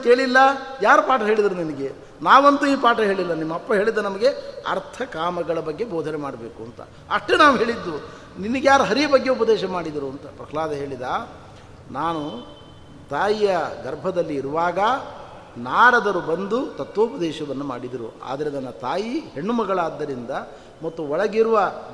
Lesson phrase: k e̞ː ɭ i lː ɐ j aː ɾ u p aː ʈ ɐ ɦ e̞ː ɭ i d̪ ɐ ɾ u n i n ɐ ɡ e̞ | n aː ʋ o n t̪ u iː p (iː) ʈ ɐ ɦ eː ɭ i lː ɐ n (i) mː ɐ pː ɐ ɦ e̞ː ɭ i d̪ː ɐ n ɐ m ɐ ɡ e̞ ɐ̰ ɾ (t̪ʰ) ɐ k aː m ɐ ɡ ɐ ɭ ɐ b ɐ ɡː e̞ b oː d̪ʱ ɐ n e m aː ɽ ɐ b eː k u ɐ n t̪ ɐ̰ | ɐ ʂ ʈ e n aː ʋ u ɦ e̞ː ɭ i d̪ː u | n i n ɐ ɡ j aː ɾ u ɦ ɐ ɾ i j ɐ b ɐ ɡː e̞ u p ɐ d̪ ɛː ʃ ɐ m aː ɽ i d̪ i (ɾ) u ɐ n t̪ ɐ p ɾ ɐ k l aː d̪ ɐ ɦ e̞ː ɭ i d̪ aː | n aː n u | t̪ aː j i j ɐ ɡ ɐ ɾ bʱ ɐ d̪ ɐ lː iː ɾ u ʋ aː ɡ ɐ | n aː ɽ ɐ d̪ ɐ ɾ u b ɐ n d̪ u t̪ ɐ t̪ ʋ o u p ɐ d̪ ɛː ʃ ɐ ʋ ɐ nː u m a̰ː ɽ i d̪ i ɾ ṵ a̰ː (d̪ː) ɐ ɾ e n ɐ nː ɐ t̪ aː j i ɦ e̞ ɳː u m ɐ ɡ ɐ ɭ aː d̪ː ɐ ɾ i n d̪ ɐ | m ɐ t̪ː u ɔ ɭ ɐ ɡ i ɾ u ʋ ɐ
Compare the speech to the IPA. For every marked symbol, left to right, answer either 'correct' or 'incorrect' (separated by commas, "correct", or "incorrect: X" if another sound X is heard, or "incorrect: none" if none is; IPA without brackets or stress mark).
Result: incorrect: aː, correct, correct, correct, incorrect: d̪